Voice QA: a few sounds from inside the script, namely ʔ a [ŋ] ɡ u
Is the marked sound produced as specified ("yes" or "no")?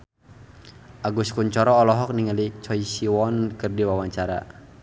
no